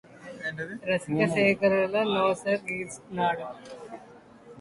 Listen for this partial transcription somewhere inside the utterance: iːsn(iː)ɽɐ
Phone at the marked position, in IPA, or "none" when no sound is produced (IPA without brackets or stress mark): aː